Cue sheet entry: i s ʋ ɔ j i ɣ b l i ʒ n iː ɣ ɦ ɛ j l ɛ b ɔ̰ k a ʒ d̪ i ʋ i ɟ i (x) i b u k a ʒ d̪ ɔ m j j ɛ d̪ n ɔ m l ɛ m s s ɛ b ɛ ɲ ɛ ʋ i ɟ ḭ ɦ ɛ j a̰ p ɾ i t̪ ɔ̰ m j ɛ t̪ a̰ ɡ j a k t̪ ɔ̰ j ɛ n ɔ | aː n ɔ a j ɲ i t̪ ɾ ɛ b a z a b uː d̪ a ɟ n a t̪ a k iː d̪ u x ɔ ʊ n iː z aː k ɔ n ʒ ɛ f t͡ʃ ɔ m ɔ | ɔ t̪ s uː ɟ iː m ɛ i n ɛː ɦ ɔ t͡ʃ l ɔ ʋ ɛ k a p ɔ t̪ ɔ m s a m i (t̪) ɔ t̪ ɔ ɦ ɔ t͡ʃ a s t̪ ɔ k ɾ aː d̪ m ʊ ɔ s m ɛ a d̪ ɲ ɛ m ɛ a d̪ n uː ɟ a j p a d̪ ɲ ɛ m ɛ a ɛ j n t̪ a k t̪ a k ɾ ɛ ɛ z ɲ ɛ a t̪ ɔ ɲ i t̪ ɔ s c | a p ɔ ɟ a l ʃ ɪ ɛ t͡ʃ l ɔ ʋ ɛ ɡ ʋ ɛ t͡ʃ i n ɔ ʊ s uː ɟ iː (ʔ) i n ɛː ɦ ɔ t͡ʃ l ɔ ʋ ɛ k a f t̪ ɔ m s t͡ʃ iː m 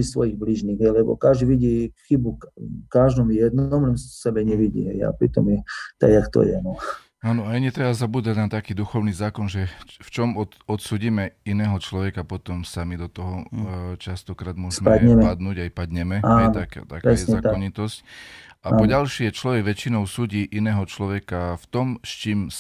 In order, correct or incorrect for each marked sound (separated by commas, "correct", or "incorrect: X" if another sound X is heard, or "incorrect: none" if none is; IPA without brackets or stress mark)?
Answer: correct, incorrect: d̪, correct